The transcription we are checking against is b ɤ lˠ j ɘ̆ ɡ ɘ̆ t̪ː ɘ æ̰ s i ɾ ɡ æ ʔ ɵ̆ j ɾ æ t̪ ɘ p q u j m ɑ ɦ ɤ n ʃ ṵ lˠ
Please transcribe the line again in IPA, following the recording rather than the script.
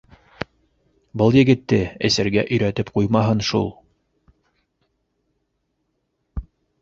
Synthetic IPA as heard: b ɤ lˠ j ɘ̆ ɡ ɘ̆ t̪ː ɘ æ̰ s æ ɾ ɡ æ ʔ ɵ̆ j ɾ æ t̪ ɘ p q u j m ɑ ɦ ɤ n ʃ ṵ lˠ

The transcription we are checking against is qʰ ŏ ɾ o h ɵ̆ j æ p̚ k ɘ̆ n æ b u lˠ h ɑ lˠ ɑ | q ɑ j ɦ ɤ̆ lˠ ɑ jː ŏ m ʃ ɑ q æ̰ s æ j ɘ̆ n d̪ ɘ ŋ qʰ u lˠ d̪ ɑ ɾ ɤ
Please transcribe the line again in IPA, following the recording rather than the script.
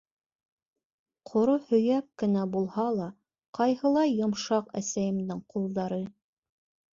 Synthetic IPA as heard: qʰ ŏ ɾ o h ɵ̆ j æ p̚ k ɘ̆ n æ b u lˠ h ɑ lˠ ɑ | q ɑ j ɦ ɤ̆ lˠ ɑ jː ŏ m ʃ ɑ q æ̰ s æ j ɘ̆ m d̪ ɘ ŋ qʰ u lˠ d̪ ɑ ɾ ɤ

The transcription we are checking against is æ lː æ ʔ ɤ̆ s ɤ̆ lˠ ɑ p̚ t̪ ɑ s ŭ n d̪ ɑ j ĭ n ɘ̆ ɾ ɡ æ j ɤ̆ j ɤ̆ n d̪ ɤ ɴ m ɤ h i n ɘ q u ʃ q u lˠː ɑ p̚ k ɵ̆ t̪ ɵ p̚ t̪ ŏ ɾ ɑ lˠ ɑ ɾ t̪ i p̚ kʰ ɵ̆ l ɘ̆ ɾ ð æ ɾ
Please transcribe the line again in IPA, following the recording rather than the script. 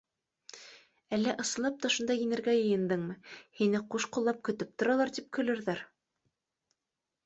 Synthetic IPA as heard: æ lː æ ʔ ɤ̆ s ɤ̆ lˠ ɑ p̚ t̪ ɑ ʃ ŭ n d̪ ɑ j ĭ n ɘ̆ ɾ ɡ æ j ɤ̆ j ɤ̆ n d̪ ɤ ɴ m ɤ h i n ɘ q u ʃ q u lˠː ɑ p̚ k ɵ̆ t̪ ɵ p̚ t̪ ŏ ɾ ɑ lˠ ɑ ɾ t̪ i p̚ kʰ ɵ̆ l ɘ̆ ɾ ð æ ɾ

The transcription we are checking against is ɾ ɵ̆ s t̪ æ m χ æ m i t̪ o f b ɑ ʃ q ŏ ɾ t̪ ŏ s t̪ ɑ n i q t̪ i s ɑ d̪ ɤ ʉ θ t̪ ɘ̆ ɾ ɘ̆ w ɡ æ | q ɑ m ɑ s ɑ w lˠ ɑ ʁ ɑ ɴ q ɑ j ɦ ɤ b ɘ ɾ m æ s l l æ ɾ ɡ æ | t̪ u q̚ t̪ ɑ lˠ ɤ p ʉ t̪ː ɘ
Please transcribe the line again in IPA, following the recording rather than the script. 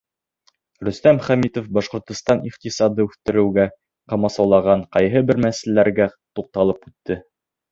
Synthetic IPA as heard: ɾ ɵ̆ s t̪ æ m χ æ m i t̪ o f b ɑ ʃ q ŏ ɾ t̪ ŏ s t̪ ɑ n i q t̪ i s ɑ d̪ ɤ ʉ θ t̪ ɘ̆ ɾ ɘ̆ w ɡ æ | q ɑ m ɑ s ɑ w lˠ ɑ ʁ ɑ ɴ q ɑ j ɦ ɤ b ɘ ɾ m æ s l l æ ɾ ɡ æ | t̪ u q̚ t̪ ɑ lˠ ɤ p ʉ t̪ː ɘ

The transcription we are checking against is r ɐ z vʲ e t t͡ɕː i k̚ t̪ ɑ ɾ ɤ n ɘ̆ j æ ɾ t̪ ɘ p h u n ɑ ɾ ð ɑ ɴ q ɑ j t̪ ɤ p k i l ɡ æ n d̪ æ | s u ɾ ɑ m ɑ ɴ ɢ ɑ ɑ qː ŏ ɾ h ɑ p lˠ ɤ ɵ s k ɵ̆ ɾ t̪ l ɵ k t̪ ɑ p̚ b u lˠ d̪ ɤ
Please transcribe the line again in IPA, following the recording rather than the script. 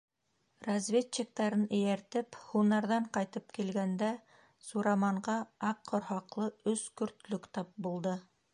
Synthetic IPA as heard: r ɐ z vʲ e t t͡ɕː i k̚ t̪ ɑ ɾ ɤ n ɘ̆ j æ ɾ t̪ ɘ p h u n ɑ ɾ ð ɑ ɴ q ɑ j t̪ ɤ p k i l ɡ æ n d̪ æ | s u ɾ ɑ m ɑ ɴ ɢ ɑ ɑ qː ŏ ɾ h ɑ q lˠ ɤ ɵ s k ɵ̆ ɾ t̪ l ɵ k t̪ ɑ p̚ b u lˠ d̪ ɤ

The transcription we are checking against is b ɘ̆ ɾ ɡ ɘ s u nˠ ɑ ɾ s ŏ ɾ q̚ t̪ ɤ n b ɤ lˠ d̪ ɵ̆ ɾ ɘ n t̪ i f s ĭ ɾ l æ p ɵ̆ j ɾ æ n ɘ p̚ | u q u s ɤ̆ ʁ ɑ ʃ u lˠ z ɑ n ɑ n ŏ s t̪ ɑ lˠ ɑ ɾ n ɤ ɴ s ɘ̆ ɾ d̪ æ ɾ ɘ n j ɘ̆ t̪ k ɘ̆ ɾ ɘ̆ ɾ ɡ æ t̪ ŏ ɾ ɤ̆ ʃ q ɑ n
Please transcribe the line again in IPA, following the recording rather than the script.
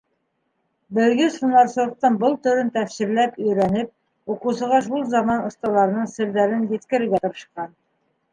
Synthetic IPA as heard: b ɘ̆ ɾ ɡ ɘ s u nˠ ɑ ɾ s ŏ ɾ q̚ t̪ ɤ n b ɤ lˠ t̪ ɵ̆ ɾ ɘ n t̪ æ f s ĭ ɾ l æ p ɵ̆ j ɾ æ n ɘ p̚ | u q u s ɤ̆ ʁ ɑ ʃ u lˠ z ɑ m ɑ n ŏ s t̪ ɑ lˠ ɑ ɾ n ɤ ɴ s ɘ̆ ɾ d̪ æ ɾ ɘ n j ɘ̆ t̪ k ɘ̆ ɾ ɘ̆ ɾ ɡ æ t̪ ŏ ɾ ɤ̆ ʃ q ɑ n

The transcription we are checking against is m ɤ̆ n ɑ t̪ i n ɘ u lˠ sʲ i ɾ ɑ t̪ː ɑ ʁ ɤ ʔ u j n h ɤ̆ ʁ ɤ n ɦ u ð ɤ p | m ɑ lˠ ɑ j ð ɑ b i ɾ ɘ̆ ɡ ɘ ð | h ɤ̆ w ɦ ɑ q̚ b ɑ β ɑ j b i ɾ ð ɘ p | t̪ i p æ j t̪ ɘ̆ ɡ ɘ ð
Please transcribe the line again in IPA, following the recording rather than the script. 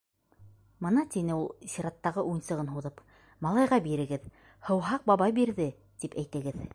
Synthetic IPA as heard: m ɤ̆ n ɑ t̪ i n ɘ u lˠ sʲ i ɾ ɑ t̪ː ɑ ʁ ɤ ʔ u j n s ɤ̆ ʁ ɤ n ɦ u ð ɤ p | m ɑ lˠ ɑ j ʁ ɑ b i ɾ ɘ̆ ɡ ɘ ð | h ɤ̆ w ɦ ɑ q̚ b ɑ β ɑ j b i ɾ ð ɘ | t̪ i p æ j t̪ ɘ̆ ɡ ɘ ð

